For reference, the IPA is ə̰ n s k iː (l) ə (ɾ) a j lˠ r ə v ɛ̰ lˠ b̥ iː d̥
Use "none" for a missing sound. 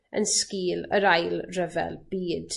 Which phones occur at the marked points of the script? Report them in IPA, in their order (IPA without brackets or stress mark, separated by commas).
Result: l, ɾ